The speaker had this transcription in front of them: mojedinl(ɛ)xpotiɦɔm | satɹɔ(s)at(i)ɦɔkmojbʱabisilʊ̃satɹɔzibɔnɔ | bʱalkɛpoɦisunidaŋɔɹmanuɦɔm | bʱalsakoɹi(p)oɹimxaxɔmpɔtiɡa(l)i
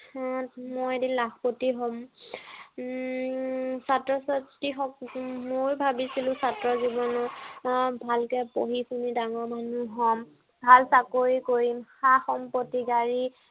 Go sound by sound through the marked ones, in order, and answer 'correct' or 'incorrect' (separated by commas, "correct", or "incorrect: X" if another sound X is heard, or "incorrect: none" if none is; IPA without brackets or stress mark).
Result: incorrect: a, correct, correct, incorrect: k, incorrect: ɹ